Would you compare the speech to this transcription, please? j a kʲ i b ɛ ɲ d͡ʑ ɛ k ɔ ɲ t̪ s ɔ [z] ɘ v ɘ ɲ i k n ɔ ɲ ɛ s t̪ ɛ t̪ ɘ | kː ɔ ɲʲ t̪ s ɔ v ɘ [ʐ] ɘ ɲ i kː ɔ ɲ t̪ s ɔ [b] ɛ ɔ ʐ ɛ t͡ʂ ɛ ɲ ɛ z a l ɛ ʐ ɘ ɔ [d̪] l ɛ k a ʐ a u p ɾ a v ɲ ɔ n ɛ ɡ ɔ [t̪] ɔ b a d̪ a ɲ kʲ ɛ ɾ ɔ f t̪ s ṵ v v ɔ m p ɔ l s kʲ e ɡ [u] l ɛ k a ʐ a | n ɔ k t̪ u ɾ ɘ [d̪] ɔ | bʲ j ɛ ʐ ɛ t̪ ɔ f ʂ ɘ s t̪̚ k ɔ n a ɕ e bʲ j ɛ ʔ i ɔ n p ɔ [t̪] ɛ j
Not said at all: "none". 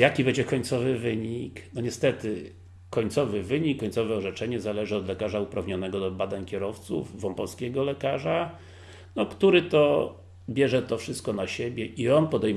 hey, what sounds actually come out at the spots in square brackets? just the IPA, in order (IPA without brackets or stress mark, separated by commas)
v, v, v, d̪, d̪, ɔ, t̪, d̪